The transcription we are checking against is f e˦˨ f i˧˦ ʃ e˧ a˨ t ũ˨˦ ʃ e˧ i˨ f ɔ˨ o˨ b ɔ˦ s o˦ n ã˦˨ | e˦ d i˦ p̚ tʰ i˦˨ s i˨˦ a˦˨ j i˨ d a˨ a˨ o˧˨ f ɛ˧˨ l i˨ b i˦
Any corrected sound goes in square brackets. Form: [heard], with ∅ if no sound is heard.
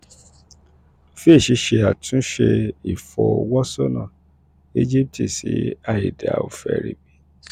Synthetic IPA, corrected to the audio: f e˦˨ [ʃ] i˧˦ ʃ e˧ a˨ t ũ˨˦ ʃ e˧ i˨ f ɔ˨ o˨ [w] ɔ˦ s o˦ n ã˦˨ | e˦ [d͡ʒ] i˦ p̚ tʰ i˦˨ s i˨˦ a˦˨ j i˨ d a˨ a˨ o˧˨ f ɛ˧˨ [ɾ] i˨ b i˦